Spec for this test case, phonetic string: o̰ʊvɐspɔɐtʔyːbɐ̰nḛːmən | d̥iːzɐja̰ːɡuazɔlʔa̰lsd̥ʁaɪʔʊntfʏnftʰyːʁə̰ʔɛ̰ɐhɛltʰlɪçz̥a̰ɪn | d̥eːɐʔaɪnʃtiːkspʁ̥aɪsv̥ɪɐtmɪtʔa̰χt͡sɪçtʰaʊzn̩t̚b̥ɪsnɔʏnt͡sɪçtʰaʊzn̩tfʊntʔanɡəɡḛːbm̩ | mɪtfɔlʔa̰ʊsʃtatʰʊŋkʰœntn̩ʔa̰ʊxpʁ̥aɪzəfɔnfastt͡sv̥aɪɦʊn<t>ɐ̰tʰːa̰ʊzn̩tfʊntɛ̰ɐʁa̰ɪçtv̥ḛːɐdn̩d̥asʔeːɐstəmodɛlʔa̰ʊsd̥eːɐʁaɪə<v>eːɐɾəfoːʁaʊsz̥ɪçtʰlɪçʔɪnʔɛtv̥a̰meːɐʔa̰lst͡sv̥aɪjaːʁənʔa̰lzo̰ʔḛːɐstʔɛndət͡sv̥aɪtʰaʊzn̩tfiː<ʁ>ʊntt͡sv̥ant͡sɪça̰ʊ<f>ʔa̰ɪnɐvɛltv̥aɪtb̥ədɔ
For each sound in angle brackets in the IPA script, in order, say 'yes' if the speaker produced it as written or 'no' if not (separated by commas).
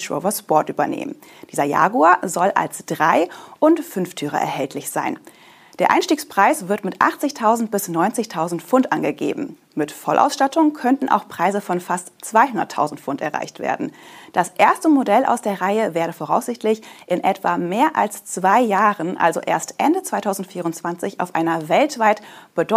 no, yes, yes, yes